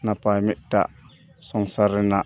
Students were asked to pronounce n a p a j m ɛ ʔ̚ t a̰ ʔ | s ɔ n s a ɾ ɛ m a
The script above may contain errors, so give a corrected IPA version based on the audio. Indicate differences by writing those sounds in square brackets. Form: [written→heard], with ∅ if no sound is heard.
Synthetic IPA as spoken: n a p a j m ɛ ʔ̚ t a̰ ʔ | s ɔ [n→ŋ] s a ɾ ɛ [m→n] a